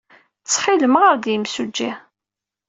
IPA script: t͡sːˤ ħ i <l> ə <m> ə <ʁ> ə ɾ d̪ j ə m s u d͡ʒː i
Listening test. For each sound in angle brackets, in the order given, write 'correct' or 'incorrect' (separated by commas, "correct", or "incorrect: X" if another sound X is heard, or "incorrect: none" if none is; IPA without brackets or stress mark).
correct, correct, correct